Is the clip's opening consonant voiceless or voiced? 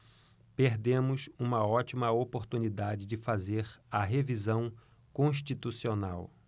voiceless